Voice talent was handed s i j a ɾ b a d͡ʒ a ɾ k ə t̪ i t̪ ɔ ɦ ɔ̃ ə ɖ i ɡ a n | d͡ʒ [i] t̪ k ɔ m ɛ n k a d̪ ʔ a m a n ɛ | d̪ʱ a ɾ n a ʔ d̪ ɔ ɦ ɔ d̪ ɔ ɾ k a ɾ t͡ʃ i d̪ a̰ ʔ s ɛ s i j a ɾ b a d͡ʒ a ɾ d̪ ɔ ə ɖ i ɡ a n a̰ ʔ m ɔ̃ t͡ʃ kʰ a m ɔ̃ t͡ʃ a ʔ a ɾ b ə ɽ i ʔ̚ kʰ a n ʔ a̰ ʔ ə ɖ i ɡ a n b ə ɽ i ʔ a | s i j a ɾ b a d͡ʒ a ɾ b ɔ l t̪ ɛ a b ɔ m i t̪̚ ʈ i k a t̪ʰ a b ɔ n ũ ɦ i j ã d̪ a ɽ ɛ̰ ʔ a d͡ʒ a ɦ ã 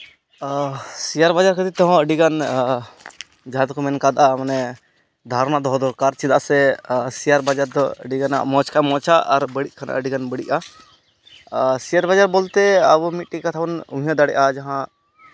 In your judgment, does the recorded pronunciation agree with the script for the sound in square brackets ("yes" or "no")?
no